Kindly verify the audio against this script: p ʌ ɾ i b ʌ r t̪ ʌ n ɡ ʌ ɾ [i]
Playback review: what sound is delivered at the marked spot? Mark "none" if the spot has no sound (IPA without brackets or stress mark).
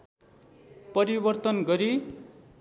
i